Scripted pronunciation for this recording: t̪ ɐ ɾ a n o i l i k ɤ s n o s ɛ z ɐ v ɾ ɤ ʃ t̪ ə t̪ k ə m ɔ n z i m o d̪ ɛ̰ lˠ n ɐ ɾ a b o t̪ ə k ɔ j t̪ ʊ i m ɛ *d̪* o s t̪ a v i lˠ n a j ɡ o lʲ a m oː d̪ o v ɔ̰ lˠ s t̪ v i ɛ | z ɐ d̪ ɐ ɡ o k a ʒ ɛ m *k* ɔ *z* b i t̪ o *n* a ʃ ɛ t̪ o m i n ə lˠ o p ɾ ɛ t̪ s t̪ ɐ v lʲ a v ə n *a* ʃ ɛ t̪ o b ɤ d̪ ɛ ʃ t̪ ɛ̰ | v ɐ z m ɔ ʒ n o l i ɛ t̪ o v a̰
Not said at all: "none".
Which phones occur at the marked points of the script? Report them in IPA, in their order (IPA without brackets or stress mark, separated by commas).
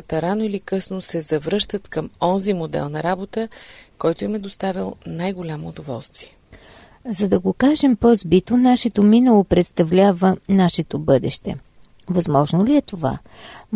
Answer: d̪, p, z, n, a